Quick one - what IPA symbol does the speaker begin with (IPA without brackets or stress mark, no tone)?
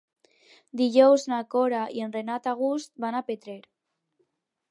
d̪